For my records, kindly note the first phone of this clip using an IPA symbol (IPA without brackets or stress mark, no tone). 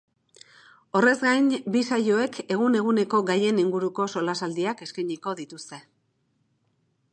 o̞